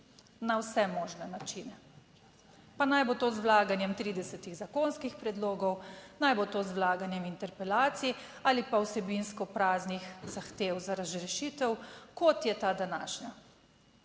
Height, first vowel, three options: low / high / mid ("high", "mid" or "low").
low